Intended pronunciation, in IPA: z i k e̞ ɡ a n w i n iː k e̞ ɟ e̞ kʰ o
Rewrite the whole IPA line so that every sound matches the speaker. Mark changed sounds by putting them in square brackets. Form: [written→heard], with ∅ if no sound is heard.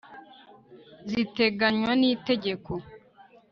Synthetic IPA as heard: z i [k→t] e̞ ɡ a [n→ɲ] w [i→a] n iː [k→t] e̞ ɟ e̞ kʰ o

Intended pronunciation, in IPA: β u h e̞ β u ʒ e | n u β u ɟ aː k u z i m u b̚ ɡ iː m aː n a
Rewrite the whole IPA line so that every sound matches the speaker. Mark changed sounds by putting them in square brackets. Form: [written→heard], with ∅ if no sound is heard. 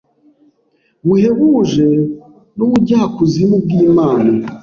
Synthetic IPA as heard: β u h e̞ β u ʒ e | n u β u ɟ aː k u z i m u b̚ ɡ iː m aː n a

